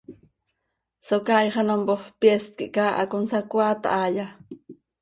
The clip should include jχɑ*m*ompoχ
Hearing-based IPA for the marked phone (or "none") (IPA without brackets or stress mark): n